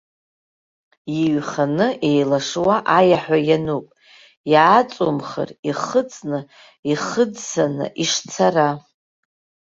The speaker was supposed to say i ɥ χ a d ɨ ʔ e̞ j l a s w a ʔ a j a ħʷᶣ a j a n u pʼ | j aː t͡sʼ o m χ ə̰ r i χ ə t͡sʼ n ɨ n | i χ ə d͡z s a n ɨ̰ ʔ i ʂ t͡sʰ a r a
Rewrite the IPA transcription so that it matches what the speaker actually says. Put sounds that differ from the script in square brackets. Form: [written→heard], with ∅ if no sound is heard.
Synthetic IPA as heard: i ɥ χ a [d→n] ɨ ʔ e̞ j l a [s→ʂ] w a ʔ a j a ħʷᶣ a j a n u pʼ | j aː t͡sʼ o m χ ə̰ r i χ ə t͡sʼ n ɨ [n→∅] | i χ ə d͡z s a n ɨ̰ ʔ i ʂ t͡sʰ a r a